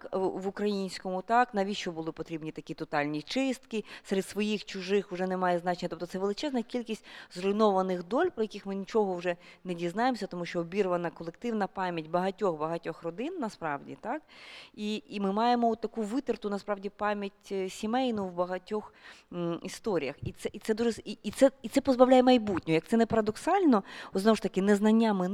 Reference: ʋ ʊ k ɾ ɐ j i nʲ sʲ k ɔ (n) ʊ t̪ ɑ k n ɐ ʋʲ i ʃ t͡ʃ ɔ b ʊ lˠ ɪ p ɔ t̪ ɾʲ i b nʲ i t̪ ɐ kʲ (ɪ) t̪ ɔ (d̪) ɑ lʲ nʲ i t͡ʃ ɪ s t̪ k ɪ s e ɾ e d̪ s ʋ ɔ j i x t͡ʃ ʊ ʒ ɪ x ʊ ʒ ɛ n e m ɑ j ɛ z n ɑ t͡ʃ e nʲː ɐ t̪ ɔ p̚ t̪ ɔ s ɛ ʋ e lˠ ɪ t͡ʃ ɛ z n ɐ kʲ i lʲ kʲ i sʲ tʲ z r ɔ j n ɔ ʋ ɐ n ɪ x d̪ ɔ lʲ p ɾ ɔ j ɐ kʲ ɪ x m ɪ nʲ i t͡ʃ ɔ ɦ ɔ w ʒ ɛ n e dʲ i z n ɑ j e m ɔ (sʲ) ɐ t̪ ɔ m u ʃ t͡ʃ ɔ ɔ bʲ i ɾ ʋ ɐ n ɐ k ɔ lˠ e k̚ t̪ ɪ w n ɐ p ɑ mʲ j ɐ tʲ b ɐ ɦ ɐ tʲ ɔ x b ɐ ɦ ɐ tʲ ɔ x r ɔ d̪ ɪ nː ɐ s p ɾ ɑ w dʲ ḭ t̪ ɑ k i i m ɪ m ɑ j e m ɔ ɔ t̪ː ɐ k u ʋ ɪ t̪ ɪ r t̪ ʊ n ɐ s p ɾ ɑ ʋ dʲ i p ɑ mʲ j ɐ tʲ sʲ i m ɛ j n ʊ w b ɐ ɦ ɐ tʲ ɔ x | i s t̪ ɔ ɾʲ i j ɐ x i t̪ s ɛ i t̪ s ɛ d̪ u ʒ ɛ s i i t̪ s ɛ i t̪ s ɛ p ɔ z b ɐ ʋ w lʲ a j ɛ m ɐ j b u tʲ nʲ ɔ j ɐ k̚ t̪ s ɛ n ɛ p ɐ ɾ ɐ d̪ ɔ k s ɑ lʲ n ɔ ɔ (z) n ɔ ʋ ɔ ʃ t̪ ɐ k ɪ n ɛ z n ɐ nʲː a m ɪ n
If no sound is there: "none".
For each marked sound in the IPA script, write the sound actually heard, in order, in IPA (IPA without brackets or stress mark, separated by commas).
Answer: m, i, t̪, sʲ, z